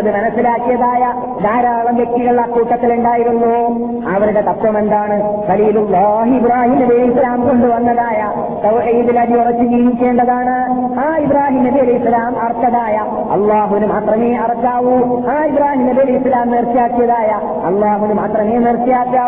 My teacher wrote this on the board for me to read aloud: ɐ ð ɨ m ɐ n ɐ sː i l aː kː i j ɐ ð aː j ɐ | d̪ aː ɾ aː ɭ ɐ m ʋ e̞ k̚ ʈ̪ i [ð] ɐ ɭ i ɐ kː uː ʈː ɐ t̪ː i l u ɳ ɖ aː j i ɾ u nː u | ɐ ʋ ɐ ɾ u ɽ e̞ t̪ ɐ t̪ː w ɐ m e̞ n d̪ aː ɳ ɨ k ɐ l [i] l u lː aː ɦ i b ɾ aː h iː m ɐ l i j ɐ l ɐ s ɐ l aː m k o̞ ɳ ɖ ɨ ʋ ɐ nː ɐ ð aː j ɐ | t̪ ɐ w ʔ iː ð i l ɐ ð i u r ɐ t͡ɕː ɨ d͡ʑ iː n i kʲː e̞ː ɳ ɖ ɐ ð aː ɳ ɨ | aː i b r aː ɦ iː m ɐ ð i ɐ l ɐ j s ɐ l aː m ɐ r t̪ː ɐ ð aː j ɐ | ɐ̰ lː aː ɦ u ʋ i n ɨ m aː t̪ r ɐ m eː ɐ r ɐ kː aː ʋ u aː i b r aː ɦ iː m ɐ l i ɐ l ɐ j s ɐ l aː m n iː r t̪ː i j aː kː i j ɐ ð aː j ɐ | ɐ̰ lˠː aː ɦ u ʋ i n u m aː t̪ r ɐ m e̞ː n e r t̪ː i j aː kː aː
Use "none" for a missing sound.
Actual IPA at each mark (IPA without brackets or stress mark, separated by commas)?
ɣ, iː